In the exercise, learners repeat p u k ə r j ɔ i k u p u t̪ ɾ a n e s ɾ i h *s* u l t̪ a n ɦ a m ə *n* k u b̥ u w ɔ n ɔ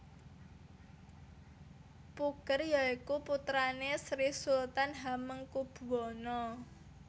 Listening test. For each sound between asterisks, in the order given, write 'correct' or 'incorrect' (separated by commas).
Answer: correct, incorrect